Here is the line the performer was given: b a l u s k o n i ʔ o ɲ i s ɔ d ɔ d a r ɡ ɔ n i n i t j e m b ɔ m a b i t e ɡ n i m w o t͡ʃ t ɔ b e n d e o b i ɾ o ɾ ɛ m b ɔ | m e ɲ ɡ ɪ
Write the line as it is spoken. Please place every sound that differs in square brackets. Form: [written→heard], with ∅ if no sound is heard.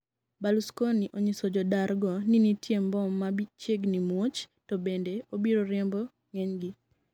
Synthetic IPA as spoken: b a l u s k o n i ʔ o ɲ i s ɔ [d→d͡ʒ] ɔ d a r ɡ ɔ n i n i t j e m b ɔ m a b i [t→t͡ʃ] e ɡ n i m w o t͡ʃ t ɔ b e n d e o b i ɾ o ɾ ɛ m b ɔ | [m→ŋ] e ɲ ɡ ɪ